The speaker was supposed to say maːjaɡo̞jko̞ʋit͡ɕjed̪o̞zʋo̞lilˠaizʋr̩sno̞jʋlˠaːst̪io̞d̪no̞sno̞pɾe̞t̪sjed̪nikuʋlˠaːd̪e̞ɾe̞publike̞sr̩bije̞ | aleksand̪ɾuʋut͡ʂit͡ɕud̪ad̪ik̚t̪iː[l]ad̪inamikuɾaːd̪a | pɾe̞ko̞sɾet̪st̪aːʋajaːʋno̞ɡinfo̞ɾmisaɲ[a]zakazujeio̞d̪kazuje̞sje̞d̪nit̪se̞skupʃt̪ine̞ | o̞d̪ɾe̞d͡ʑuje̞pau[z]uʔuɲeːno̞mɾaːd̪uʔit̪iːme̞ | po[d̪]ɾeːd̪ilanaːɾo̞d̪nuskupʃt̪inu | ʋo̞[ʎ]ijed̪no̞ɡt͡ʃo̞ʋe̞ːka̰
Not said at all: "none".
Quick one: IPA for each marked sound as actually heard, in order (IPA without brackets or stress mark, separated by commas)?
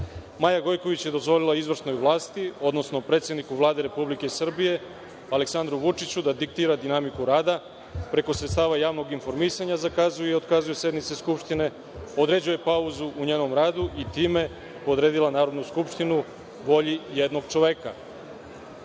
ɾ, a, z, d̪, ʎ